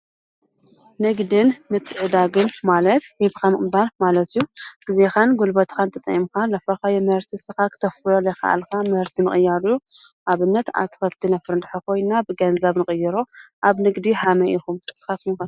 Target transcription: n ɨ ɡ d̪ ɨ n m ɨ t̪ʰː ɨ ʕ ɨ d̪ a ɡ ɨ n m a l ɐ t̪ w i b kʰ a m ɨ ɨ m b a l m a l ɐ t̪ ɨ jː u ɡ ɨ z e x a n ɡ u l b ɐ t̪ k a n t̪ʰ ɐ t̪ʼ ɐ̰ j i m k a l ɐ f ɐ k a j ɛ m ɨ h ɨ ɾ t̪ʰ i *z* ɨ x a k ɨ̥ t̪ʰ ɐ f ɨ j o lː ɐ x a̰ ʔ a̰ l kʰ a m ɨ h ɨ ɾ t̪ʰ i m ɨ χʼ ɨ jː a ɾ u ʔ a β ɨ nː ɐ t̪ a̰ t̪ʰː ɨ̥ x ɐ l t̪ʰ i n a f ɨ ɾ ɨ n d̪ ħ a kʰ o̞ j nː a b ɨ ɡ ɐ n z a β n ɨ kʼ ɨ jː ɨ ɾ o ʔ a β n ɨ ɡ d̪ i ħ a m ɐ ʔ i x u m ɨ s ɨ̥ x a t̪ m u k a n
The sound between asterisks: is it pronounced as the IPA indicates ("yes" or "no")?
no